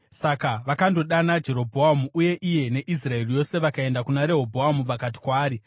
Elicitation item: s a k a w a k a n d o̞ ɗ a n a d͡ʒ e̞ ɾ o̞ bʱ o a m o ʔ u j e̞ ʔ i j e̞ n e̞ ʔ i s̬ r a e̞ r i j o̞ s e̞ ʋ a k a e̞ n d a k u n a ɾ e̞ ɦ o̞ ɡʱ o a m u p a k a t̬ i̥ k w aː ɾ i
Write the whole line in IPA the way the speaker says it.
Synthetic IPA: s a k a ʋ a k a n d o̞ ɗ a n a d͡ʒ e̞ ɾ o̞ bʱ o a m u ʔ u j e̞ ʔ i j e̞ n e̞ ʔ i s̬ r a e̞ r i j o̞ s e̞ ʋ a k a e̞ n d a k u n a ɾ e̞ ɦ o̞ bʱ o a m u p a k a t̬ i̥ k w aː ɾ i